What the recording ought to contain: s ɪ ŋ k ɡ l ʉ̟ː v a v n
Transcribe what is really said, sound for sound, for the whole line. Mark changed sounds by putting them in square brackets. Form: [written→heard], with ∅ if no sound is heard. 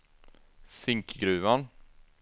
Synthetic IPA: s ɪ ŋ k ɡ [l→ɾ] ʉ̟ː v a [v→∅] n